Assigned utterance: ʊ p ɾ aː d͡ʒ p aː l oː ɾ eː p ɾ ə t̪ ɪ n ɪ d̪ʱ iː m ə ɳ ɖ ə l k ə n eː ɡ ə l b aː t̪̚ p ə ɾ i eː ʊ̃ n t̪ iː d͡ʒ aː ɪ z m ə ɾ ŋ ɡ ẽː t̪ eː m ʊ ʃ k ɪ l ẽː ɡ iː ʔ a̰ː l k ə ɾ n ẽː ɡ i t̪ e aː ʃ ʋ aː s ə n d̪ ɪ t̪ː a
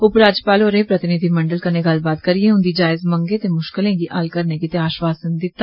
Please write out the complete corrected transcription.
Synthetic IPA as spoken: ʊ p ɾ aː d͡ʒ p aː l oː ɾ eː p ɾ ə t̪ ɪ n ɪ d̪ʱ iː m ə ɳ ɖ ə l k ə n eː ɡ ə l b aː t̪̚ k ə ɾ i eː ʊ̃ n d̪ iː d͡ʒ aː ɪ z m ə ŋ ɡ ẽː t̪ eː m ʊ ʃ k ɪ l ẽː ɡ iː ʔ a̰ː l k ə ɾ n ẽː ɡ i t̪ e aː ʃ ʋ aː s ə n d̪ ɪ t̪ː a

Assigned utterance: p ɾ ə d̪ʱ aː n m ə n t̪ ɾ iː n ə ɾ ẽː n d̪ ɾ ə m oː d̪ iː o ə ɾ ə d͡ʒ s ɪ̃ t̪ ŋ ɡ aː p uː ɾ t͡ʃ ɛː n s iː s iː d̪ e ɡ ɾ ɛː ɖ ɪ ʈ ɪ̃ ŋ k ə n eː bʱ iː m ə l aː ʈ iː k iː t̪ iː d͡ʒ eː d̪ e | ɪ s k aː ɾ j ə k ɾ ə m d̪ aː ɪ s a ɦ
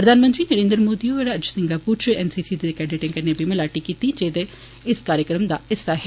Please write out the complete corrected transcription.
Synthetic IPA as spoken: p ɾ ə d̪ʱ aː n m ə n t̪ ɾ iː n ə ɾ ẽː n d̪ ɾ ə m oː d̪ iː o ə ɾ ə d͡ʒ s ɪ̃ ŋ ɡ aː p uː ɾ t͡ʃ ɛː n s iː s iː d̪ e k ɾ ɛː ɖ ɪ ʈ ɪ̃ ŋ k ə n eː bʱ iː m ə l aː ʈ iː k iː t̪ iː d͡ʒ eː d̪ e | ɪ s k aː ɾ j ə k ɾ ə m d̪ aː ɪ s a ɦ

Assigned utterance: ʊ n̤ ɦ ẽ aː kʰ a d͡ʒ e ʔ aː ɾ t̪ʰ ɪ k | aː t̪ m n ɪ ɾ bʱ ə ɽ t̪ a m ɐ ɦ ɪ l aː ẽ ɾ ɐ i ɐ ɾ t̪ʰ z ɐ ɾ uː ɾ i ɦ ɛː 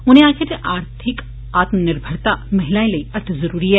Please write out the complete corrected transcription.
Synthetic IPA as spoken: ʊ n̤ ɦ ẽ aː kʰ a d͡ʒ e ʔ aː ɾ t̪ʰ ɪ k | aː t̪ m n ɪ ɾ bʱ ə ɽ t̪ a m ɐ ɦ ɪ l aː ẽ l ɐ i ɐ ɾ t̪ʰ z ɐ ɾ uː ɾ i ɦ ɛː

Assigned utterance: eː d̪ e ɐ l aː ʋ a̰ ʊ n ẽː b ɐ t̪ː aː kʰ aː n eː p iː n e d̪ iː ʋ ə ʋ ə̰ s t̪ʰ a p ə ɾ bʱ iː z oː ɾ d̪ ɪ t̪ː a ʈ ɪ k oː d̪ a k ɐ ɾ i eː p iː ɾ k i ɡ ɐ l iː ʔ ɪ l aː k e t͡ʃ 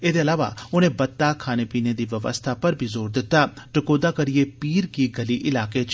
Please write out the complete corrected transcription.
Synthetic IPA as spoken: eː d̪ e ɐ l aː ʋ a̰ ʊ n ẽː b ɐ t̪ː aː kʰ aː n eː p iː n e d̪ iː ʋ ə ʋ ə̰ s t̪ʰ a p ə ɾ bʱ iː z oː ɾ d̪ ɪ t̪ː a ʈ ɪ k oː d̪ a k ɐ ɾ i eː p iː ɾ k i ɡ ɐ l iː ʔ ɪ l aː k e t͡ʃ

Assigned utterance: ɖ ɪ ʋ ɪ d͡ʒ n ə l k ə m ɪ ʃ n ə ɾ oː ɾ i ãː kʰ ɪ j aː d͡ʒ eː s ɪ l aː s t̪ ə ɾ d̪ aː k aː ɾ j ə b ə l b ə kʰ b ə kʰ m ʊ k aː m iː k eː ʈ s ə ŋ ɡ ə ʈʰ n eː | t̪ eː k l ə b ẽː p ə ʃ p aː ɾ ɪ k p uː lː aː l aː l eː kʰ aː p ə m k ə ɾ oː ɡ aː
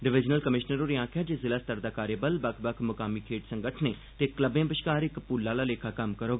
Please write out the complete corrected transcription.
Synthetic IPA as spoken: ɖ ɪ ʋ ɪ d͡ʒ n ə l k ə m ɪ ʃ n ə ɾ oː ɾ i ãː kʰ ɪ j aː d͡ʒ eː z ɪ l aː s t̪ ə ɾ d̪ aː k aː ɾ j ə b ə l b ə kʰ b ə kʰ m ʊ k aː m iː kʰ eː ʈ s ə ŋ ɡ ə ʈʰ n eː | t̪ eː k l ə b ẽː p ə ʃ k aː ɾ ɪ k p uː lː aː l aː l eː kʰ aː k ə m k ə ɾ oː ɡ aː

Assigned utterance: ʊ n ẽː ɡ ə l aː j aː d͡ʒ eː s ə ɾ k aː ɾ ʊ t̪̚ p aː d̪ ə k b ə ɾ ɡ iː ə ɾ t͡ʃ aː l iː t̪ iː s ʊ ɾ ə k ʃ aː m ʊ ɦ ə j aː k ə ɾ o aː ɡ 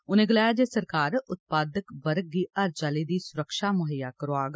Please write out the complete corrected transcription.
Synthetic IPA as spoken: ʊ n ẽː ɡ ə l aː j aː d͡ʒ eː s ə ɾ k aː ɾ ʊ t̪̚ p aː d̪ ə k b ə ɾ ɡ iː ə ɾ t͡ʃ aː l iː d̪ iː s ʊ ɾ ə k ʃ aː m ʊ ɦ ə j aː k ə ɾ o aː ɡ

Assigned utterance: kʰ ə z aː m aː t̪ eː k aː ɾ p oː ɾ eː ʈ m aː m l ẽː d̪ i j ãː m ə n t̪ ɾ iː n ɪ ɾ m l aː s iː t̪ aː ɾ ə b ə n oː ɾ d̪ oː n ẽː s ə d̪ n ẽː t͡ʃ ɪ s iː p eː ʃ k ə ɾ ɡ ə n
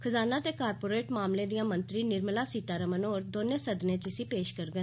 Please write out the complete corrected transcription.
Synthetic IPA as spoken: kʰ ə z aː n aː t̪ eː k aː ɾ p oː ɾ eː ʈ m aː m l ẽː d̪ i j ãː m ə n t̪ ɾ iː n ɪ ɾ m l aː s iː t̪ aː ɾ ə m ə n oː ɾ d̪ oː n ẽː s ə d̪ n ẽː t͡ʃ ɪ s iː p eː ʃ k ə ɾ ɡ ə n

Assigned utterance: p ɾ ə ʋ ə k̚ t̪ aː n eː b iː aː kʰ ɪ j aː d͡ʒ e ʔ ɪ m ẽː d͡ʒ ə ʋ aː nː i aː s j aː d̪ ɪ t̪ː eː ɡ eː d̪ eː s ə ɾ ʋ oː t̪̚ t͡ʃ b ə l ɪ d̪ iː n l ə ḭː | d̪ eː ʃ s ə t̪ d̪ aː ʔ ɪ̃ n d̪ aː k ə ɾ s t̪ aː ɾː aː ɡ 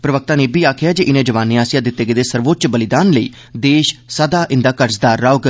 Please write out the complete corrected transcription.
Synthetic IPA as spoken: p ɾ ə ʋ ə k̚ t̪ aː n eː b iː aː kʰ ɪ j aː d͡ʒ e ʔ ɪ n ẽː d͡ʒ ə ʋ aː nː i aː s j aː d̪ ɪ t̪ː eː ɡ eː d̪ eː s ə ɾ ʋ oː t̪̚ t͡ʃ b ə l ɪ d̪ aː n l ə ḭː | d̪ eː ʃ s ə d̪ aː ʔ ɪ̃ n d̪ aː k ə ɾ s d̪ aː ɾː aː ɡ

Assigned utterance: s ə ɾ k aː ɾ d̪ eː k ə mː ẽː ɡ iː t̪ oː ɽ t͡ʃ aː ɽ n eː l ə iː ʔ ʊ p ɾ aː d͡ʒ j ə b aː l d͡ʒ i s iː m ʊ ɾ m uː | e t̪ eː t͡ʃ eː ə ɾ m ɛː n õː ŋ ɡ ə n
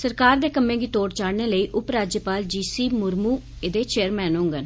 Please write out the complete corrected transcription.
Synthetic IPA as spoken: s ə ɾ k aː ɾ d̪ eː k ə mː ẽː ɡ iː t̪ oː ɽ t͡ʃ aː ɽ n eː l ə iː ʔ ʊ p ɾ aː d͡ʒ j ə p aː l d͡ʒ iː s iː m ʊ ɾ m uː | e d̪ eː t͡ʃ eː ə ɾ m ɛː n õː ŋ ɡ ə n

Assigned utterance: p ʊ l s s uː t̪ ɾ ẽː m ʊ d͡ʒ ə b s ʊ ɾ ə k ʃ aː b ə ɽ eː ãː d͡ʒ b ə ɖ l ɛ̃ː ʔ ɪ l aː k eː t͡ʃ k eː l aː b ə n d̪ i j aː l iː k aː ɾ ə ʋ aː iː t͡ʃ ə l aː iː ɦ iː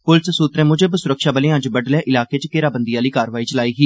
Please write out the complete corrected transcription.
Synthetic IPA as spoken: p ʊ l s s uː t̪ ɾ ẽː m ʊ d͡ʒ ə b s ʊ ɾ ə k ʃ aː b ə l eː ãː d͡ʒ b ə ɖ l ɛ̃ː ʔ ɪ l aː k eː t͡ʃ k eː ɾ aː b ə n d̪ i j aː l iː k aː ɾ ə ʋ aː iː t͡ʃ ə l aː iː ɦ iː

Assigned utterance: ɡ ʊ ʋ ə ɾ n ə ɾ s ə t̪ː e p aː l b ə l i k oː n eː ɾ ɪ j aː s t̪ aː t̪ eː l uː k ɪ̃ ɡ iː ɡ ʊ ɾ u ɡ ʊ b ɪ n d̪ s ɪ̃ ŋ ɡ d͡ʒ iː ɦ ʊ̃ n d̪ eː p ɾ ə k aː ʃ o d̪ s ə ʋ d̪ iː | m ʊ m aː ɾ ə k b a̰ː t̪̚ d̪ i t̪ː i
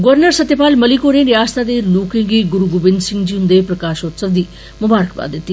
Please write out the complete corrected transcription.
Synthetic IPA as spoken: ɡ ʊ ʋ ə ɾ n ə ɾ s ə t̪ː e p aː l m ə l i k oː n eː ɾ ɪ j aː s t̪ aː d̪ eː l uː k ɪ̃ ɡ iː ɡ ʊ ɾ u ɡ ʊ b ɪ n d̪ s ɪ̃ ŋ ɡ d͡ʒ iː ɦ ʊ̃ n d̪ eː p ɾ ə k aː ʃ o t̪ s ə ʋ d̪ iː | m ʊ b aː ɾ ə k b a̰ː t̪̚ d̪ ɪ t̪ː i

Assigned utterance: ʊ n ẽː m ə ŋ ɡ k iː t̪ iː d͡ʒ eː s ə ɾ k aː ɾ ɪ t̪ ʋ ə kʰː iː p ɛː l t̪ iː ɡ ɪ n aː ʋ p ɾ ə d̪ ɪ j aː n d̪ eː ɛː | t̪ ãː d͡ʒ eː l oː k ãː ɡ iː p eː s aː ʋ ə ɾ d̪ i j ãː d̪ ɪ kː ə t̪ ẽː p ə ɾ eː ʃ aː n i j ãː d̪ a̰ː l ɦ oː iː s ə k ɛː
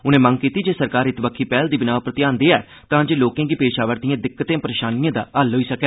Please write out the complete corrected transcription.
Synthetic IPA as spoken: ʊ n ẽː m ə ŋ ɡ k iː t̪ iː d͡ʒ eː s ə ɾ k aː ɾ ɪ t̪ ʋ ə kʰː iː p ɛː l d̪ iː b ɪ n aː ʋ p ɾ ə t̪ ɪ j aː n d̪ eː ɛː | t̪ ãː d͡ʒ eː l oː k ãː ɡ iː p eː ʃ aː ʋ ə ɾ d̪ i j ãː d̪ ɪ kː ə t̪ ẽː p ə ɾ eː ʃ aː n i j ãː d̪ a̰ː l ɦ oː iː s ə k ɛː

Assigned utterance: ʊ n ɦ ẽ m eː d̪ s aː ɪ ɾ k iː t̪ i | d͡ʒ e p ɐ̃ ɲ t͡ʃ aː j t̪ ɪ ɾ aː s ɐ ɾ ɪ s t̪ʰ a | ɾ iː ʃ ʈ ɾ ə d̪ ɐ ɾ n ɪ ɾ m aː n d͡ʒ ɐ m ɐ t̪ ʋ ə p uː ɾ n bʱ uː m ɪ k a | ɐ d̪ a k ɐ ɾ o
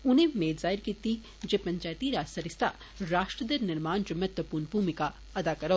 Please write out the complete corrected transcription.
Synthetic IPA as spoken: ʊ n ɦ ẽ m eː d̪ z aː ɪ ɾ k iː t̪ i | d͡ʒ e p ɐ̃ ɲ t͡ʃ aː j t̪ i ɾ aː s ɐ ɾ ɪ s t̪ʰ a | ɾ aː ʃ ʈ ɾ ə d̪ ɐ ɾ n ɪ ɾ m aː n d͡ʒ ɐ m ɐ t̪ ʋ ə p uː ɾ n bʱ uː m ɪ k a | ɐ d̪ a k ɐ ɾ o

